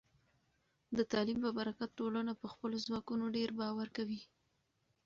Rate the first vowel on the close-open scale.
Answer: mid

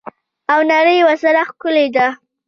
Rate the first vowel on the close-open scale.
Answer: open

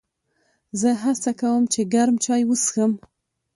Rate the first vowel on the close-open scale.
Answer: mid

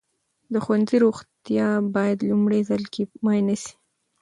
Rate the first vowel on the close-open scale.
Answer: mid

